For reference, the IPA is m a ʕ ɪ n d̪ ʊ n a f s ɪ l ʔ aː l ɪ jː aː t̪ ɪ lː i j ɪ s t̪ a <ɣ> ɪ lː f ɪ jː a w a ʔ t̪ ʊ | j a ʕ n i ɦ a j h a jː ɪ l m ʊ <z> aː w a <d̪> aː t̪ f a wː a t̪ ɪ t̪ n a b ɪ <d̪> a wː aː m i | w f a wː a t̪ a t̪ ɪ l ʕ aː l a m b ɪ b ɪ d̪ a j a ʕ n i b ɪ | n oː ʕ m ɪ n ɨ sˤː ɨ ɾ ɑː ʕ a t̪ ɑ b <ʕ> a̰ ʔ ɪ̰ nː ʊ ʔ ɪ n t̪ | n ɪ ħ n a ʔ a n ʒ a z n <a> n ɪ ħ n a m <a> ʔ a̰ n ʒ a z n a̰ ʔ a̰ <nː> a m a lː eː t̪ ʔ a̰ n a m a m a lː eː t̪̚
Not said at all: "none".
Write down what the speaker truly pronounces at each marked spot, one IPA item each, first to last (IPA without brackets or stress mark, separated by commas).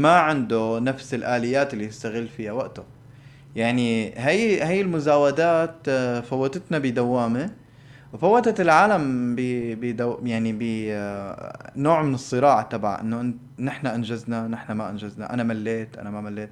ɣ, z, d̪, d̪, ʕ, a, a, n